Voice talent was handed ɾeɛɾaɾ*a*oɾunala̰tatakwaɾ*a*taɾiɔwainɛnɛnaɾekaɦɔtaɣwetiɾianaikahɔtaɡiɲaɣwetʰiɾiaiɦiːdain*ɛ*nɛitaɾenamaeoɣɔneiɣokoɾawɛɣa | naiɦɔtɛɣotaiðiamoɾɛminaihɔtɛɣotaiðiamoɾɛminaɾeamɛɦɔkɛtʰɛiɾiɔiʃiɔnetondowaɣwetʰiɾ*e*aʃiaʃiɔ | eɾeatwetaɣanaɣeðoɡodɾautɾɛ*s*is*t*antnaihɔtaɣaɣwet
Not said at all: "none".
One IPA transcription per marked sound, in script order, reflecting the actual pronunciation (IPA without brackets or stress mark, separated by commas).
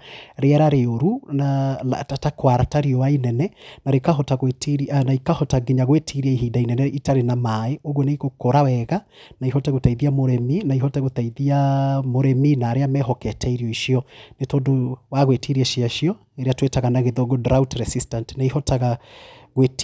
e, a, ɛ, i, s, t